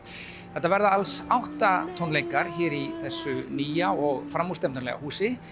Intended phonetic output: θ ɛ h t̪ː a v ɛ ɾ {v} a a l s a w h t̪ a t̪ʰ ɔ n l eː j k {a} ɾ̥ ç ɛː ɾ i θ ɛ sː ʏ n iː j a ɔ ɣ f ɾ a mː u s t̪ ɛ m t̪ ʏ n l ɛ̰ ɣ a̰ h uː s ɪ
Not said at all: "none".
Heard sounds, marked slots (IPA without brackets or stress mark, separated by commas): ð, a